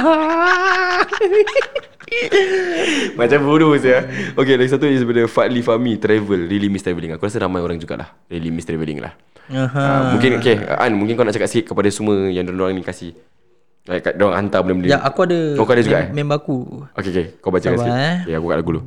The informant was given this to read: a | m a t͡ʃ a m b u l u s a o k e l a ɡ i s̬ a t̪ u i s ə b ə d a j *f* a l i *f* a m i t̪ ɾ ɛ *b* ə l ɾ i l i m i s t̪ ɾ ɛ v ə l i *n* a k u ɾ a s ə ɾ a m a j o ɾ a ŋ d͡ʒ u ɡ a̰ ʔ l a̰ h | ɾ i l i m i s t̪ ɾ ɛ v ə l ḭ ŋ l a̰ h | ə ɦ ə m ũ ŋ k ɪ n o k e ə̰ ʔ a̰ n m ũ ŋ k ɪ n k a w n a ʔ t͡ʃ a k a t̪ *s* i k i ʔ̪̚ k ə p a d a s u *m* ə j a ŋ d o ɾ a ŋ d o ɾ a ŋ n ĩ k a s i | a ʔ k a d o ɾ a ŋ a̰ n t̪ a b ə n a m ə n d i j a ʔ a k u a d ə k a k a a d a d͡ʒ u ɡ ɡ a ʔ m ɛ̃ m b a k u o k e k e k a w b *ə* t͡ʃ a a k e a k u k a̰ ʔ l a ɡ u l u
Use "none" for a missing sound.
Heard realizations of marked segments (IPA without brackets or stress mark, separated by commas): f, f, v, ŋ, s, m, a